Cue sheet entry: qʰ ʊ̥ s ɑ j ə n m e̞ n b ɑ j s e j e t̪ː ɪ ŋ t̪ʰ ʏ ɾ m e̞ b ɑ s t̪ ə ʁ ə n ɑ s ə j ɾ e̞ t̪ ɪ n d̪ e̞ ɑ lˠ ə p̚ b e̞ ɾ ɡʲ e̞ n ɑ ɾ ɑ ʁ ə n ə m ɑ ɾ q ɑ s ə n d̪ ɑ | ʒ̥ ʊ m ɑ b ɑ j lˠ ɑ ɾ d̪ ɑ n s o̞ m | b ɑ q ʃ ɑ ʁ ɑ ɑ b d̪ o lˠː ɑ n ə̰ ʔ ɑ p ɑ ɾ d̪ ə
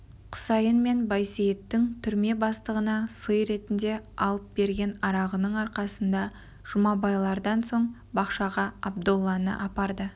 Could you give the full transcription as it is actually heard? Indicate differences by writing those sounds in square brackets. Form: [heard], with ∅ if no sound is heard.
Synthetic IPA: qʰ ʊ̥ s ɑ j ə n m e̞ n b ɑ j s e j e t̪ː ɪ ŋ t̪ʰ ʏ ɾ m e̞ b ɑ s t̪ ə ʁ ə n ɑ s ə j ɾ e̞ t̪ ɪ n d̪ e̞ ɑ lˠ ə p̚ b e̞ ɾ ɡʲ e̞ n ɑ ɾ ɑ ʁ ə n ə [ɴ] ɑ ɾ q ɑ s ə n d̪ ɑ | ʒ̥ ʊ m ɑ b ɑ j lˠ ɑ ɾ d̪ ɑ n s o̞ [ɴ] | b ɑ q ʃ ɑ ʁ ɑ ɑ b d̪ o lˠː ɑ n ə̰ ʔ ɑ p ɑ ɾ d̪ ə